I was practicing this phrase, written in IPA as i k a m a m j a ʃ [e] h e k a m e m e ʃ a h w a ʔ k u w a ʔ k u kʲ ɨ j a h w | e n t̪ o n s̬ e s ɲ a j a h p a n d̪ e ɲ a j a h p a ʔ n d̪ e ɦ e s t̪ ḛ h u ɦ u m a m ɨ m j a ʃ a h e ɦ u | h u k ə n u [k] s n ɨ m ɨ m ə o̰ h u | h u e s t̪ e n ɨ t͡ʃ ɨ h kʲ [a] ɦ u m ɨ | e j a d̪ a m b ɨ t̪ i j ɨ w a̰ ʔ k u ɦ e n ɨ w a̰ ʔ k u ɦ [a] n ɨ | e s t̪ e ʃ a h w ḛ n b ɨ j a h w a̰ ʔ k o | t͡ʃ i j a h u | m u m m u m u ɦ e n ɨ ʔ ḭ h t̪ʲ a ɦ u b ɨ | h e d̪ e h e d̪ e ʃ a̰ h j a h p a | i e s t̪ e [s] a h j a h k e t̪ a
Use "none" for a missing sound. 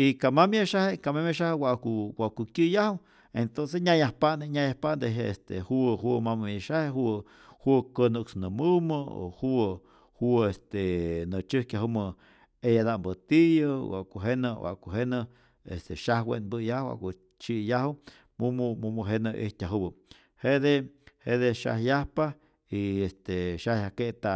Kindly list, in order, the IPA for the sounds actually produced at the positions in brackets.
a, k, a, e, ʃ

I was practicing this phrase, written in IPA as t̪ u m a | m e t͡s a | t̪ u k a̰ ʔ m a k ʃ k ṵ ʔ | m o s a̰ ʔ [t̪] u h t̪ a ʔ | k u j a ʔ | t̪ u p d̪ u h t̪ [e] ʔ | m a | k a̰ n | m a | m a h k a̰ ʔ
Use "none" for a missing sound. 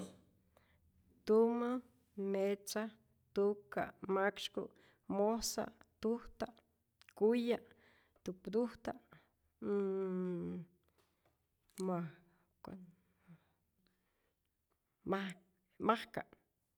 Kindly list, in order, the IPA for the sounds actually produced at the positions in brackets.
t̪, a

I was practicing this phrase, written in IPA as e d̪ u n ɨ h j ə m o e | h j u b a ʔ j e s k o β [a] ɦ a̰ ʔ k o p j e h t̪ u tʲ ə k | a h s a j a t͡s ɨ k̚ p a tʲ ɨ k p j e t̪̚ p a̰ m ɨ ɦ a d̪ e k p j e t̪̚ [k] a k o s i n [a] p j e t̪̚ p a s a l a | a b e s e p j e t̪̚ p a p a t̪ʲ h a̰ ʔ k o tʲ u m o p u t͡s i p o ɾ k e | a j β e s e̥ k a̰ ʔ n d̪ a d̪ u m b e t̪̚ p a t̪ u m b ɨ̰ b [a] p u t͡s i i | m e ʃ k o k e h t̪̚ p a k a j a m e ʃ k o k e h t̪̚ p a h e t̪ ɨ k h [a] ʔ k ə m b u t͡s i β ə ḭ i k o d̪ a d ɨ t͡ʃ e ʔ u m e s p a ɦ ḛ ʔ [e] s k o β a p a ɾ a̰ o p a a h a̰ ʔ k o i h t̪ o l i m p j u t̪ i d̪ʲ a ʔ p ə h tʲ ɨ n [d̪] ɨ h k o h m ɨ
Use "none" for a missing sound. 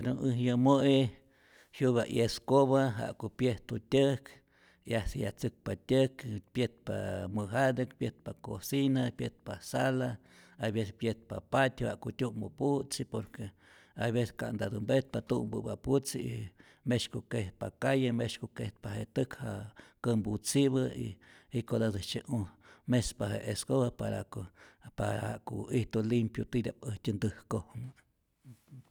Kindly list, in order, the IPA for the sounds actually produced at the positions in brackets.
a, p, a, a, a, e, d̪

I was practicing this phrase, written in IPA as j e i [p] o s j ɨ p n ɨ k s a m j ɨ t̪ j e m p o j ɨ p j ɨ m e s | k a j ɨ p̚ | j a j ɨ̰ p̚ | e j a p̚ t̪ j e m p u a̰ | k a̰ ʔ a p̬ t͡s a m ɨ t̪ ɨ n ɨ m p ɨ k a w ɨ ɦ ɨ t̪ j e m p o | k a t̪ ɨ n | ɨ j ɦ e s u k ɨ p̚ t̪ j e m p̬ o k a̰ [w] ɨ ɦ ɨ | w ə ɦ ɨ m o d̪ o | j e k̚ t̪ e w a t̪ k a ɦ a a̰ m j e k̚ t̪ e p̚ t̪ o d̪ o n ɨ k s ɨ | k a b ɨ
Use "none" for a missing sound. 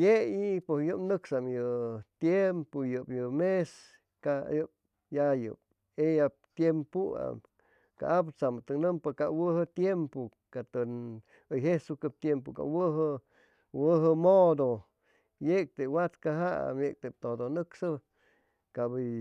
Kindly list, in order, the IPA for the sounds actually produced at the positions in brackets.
p, w

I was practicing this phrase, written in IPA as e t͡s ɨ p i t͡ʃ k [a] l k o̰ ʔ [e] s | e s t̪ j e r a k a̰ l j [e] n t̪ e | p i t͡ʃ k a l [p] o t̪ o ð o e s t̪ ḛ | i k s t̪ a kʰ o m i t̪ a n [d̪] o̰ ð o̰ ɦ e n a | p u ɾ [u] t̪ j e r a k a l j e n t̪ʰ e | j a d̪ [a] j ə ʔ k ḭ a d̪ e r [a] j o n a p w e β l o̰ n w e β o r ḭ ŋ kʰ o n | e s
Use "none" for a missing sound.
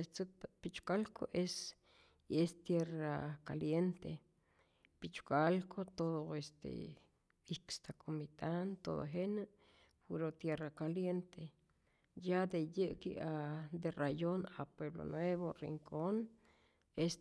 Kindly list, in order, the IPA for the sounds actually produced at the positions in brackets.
a, e, e, k, t̪, o, e, a

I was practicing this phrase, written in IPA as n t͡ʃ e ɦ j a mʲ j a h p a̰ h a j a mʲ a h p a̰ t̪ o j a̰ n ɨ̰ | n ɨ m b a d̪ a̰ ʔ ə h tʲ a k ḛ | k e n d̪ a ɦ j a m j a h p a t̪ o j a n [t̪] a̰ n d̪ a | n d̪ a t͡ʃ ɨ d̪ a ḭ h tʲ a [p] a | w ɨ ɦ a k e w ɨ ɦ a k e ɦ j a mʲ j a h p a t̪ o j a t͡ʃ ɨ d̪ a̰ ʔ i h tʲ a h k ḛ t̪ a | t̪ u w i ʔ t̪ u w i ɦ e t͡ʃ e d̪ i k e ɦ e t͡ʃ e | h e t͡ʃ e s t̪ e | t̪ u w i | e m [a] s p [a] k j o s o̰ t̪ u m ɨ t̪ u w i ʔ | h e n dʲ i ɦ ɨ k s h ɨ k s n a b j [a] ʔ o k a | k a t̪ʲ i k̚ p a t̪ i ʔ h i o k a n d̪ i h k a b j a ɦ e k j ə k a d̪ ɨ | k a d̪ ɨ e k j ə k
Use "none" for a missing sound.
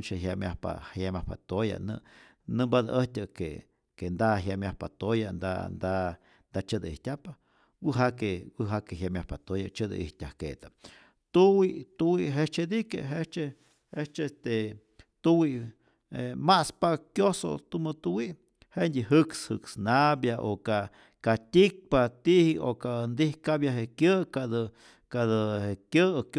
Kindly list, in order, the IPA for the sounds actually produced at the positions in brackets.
d̪, p, a, a, a

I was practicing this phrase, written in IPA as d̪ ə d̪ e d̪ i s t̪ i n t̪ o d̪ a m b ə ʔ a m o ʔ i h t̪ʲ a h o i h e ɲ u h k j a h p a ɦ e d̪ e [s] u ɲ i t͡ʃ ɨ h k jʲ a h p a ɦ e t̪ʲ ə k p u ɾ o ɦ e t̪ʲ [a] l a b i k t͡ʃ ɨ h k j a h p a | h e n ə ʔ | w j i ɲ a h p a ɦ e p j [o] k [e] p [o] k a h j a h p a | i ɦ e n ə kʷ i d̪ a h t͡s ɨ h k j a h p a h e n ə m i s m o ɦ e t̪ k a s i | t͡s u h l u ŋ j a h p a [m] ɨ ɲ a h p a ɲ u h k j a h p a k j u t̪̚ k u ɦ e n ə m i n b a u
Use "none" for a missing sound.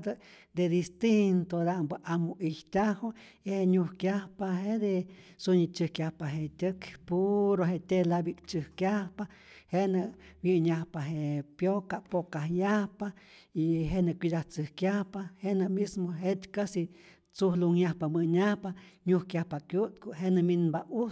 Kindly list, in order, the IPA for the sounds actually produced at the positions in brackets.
s, e, o, a, o, m

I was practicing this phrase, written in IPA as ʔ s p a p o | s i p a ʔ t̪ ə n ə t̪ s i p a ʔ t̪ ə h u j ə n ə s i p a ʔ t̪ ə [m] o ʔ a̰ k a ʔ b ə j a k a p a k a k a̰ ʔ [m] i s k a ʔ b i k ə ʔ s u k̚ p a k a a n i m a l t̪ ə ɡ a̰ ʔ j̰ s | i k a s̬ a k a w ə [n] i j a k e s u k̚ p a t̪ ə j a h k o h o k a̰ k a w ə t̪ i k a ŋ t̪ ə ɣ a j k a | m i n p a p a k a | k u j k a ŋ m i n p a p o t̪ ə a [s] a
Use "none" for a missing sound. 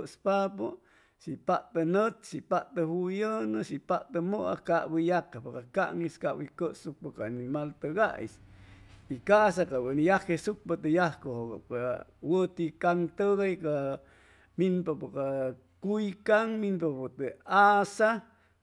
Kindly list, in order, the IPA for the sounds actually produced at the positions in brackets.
m, ŋ, n, s

